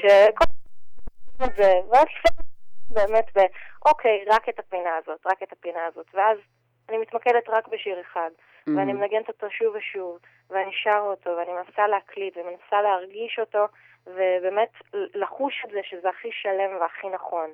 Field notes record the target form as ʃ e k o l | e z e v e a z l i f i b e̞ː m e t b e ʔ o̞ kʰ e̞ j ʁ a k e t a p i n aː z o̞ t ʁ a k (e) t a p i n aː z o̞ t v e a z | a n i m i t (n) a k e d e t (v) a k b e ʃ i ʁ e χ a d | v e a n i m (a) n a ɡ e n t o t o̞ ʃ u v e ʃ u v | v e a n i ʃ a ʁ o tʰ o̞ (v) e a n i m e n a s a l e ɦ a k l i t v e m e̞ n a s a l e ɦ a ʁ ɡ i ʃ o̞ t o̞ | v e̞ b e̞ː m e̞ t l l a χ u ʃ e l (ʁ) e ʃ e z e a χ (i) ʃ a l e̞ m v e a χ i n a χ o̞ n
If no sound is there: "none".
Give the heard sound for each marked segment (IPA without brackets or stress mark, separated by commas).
e, m, ʁ, e, v, z, i